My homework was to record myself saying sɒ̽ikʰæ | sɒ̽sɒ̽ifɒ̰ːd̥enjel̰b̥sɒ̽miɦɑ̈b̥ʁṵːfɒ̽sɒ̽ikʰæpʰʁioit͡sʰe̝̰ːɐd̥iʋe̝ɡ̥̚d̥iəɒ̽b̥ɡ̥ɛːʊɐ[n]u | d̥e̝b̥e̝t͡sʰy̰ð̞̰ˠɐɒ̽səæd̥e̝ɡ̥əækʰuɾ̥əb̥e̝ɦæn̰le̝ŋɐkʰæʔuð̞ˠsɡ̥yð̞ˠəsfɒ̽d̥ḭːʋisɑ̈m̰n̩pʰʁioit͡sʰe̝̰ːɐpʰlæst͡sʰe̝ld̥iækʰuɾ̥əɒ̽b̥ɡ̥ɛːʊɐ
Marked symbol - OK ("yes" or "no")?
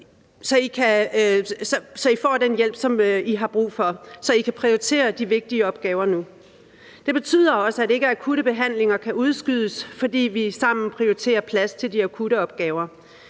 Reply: yes